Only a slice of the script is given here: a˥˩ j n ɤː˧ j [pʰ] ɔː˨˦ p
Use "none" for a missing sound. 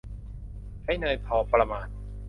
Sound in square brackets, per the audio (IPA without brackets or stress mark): pʰ